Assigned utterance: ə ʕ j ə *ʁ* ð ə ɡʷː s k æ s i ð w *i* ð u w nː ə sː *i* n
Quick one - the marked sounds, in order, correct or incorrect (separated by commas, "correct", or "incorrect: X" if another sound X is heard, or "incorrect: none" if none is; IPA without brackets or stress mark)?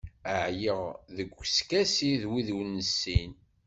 correct, correct, correct